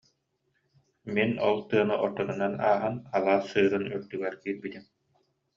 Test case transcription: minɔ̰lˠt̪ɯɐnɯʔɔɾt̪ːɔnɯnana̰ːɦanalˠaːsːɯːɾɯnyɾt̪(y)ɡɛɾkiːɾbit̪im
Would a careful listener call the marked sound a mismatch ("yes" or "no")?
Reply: no